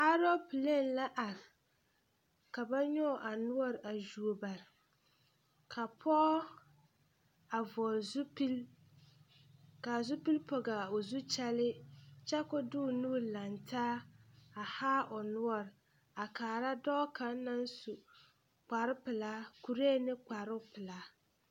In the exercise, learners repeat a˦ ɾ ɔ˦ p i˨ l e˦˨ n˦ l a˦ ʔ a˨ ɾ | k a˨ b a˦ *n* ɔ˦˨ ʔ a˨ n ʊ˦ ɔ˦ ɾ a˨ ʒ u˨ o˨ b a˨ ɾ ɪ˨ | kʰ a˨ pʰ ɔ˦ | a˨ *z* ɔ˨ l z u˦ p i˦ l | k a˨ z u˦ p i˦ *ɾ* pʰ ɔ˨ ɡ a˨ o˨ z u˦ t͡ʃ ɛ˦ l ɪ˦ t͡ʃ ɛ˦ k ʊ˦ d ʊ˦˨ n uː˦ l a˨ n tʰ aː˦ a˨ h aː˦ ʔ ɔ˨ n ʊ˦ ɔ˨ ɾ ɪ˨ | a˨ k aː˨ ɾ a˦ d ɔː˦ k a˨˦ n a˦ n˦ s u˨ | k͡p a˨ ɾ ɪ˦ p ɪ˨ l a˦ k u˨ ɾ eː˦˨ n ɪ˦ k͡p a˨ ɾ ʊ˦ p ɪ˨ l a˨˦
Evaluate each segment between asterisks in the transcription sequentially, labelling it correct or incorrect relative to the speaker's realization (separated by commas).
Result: incorrect, incorrect, incorrect